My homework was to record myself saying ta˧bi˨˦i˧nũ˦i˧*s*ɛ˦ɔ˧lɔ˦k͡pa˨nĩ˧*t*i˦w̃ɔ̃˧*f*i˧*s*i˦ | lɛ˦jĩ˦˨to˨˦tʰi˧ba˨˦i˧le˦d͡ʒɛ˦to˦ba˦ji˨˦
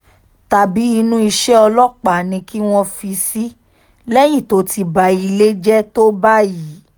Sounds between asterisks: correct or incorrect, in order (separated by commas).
incorrect, incorrect, correct, correct